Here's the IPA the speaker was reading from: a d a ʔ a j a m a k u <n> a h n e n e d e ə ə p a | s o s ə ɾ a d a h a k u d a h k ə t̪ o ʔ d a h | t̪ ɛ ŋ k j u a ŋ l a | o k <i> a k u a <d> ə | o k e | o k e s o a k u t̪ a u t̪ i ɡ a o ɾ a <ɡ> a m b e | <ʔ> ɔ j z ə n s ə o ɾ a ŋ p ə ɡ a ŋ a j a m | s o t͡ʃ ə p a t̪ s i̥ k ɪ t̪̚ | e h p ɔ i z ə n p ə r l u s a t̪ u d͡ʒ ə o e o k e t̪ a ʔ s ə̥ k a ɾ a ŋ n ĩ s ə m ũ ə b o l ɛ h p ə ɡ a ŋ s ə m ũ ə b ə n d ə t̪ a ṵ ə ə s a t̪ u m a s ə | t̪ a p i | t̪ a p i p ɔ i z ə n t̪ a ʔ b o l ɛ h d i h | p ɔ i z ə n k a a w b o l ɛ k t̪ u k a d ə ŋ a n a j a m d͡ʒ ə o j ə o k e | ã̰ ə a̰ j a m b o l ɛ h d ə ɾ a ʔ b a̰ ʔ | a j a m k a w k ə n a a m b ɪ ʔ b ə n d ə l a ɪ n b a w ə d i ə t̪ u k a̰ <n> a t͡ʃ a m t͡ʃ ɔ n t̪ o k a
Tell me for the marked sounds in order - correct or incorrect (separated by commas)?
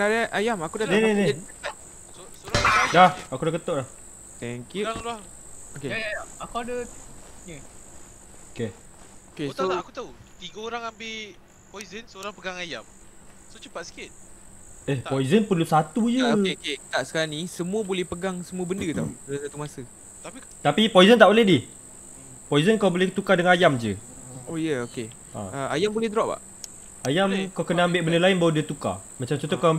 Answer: incorrect, incorrect, correct, incorrect, incorrect, incorrect